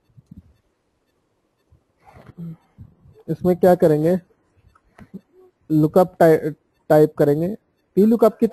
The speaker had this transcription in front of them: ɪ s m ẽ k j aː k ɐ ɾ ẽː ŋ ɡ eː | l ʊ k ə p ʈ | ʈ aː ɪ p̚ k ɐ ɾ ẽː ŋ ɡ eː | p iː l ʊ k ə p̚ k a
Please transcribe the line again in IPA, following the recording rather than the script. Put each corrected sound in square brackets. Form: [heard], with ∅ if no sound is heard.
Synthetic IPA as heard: ɪ s m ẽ k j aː k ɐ ɾ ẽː ŋ ɡ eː | l ʊ k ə p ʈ | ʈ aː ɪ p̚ k ɐ ɾ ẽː ŋ ɡ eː | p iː l ʊ k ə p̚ k [i]